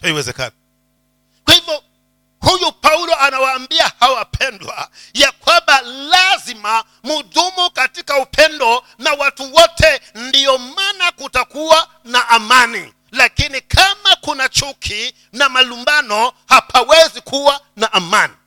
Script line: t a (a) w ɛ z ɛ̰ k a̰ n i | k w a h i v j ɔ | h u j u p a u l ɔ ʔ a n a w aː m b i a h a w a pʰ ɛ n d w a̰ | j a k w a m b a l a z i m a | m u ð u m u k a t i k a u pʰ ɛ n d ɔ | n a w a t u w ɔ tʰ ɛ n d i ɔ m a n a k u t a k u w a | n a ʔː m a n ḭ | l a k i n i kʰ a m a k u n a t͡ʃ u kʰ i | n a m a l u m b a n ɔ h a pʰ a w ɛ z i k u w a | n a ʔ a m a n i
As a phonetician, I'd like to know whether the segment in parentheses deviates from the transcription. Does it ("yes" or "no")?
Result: yes